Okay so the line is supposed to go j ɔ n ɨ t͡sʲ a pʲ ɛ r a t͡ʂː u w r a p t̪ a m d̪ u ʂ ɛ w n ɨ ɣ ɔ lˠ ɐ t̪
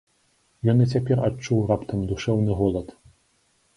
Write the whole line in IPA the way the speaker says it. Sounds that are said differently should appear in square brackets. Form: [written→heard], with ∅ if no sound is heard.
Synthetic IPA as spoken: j ɔ n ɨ t͡sʲ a pʲ ɛ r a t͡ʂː u w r a p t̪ [a→ɐ] m d̪ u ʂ ɛ w n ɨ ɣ ɔ lˠ ɐ t̪

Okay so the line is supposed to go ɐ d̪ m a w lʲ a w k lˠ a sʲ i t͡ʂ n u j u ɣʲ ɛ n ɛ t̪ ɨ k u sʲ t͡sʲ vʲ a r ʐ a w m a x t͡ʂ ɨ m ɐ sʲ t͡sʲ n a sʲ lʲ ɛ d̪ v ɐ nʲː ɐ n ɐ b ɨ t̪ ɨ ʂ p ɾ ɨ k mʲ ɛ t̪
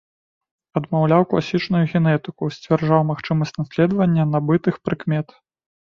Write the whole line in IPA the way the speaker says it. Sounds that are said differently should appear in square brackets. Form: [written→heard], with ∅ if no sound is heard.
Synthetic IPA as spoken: ɐ d̪ m a w lʲ a w k lˠ a sʲ i t͡ʂ n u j u ɣʲ ɛ n ɛ t̪ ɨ k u sʲ t͡sʲ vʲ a r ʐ a w m a x t͡ʂ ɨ m ɐ sʲ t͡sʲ n a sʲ lʲ ɛ d̪ v ɐ nʲː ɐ n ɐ b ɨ t̪ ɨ [ʂ→x] p ɾ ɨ k mʲ ɛ t̪

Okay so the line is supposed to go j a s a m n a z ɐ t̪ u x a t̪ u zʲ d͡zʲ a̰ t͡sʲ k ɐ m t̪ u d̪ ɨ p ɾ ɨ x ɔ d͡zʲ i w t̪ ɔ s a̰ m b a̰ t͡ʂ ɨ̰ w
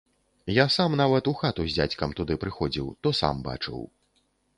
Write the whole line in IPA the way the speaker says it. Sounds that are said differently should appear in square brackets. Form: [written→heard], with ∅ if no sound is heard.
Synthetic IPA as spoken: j a s a m n a [z→v] ɐ t̪ u x a t̪ u zʲ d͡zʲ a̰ t͡sʲ k ɐ m t̪ u d̪ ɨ p ɾ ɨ x ɔ d͡zʲ i w t̪ ɔ s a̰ m b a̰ t͡ʂ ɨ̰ w

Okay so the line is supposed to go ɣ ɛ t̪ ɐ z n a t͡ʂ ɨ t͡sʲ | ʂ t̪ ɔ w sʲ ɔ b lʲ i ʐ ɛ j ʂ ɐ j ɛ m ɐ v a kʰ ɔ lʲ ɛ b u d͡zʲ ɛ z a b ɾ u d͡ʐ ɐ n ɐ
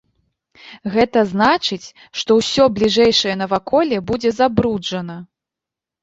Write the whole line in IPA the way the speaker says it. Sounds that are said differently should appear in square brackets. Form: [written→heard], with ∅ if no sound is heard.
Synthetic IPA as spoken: ɣ ɛ t̪ ɐ z n a t͡ʂ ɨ t͡sʲ | ʂ t̪ ɔ w sʲ ɔ b lʲ i ʐ ɛ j ʂ ɐ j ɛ [m→n] ɐ v a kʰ ɔ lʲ ɛ b u d͡zʲ ɛ z a b ɾ u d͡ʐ ɐ n ɐ

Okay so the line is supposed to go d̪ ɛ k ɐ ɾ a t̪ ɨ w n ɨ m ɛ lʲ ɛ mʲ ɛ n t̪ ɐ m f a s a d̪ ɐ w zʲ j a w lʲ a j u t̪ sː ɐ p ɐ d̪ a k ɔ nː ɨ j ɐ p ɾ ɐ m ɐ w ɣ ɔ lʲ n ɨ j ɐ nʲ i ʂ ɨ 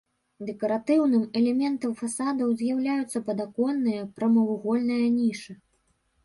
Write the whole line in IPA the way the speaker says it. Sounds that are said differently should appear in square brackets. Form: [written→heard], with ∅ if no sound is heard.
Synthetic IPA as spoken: d̪ ɛ k ɐ ɾ a t̪ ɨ w n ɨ m ɛ lʲ ɛ mʲ ɛ n t̪ ɐ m f a s a d̪ ɐ w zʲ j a w lʲ a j u t̪ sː ɐ p ɐ d̪ a k ɔ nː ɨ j ɐ p ɾ ɐ m ɐ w ɣ ɔ lʲ n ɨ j ɐ nʲ i ʂ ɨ

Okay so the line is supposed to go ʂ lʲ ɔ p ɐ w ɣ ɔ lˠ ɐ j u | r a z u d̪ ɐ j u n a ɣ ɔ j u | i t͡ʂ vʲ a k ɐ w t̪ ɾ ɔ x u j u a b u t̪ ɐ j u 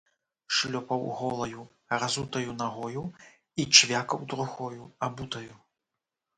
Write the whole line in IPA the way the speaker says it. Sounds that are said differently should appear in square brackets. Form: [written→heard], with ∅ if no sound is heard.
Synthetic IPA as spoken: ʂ lʲ ɔ p ɐ w ɣ ɔ lˠ ɐ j u | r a z u [d̪→t̪] ɐ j u n a ɣ ɔ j u | i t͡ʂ vʲ a k ɐ w [t̪→d̪] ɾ [ɔ→u] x [u→ɔ] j u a b u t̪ ɐ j u

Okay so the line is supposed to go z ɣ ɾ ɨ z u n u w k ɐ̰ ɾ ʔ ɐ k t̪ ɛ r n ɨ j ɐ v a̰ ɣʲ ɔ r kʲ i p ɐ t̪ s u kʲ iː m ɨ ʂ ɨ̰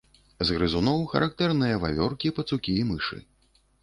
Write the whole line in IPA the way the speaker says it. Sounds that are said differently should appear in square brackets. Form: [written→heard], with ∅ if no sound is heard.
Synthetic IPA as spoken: z ɣ ɾ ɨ z u n [u→ɔ] w [k→x] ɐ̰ ɾ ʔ [ɐ→a] k t̪ ɛ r n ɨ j ɐ v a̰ [ɣʲ→vʲ] ɔ r kʲ i p ɐ t̪ s u kʲ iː m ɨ ʂ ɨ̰

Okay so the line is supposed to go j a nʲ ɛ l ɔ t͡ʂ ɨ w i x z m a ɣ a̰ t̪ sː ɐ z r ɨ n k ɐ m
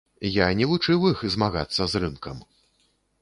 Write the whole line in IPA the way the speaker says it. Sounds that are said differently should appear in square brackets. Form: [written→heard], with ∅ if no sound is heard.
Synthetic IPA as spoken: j a nʲ ɛ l [ɔ→u] t͡ʂ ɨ w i x z m a ɣ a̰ t̪ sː ɐ z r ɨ n k ɐ m

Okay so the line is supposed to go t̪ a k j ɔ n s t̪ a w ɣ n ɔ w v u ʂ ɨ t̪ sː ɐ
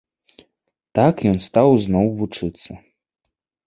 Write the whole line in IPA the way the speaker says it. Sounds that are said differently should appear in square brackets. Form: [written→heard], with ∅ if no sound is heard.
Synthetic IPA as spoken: t̪ a k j ɔ n s t̪ a w [ɣ→z] n ɔ w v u [ʂ→t͡ʂ] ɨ t̪ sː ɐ

